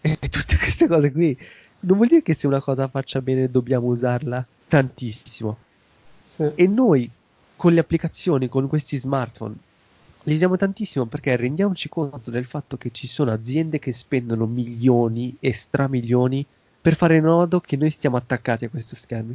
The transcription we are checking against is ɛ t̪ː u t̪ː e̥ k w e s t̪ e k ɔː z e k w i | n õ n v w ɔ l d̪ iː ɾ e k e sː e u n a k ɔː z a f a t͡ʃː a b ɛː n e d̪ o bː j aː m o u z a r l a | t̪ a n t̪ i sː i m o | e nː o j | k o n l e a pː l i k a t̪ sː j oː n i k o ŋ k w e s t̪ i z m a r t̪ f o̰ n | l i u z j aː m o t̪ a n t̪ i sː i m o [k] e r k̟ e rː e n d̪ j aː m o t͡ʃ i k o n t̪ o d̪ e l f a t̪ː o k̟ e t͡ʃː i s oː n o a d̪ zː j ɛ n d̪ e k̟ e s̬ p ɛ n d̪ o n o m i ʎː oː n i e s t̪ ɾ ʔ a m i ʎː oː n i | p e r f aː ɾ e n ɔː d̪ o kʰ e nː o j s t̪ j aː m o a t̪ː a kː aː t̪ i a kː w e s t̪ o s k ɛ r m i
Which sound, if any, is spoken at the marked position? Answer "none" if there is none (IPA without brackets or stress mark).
p